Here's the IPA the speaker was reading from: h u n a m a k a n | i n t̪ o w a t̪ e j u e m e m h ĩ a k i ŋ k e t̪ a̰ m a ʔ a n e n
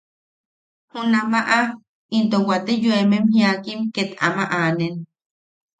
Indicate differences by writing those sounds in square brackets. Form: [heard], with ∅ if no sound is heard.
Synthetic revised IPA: h u n a m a [ʔ] a [∅] | i n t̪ o w a t̪ e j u e m e m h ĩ a k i [m] k e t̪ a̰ m a ʔ a n e n